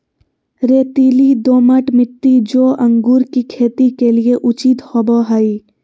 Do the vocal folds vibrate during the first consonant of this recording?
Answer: yes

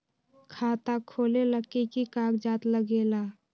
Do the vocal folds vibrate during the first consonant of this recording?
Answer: no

